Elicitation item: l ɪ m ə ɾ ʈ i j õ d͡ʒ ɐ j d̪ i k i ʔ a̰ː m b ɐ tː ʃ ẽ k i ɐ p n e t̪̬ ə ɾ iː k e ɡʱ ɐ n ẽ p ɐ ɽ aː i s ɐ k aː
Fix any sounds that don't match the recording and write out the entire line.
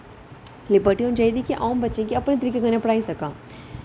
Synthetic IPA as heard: l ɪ b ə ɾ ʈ i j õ d͡ʒ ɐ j d̪ i k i ʔ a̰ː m b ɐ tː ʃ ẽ k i ɐ p n e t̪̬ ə ɾ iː k e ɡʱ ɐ n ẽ p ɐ ɽ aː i s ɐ k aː